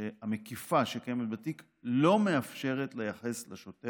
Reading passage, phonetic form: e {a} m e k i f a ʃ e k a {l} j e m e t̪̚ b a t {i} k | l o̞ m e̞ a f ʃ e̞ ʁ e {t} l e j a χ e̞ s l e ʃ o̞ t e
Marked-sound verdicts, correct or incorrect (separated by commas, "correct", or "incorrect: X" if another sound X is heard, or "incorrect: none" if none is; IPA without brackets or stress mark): correct, incorrect: none, correct, correct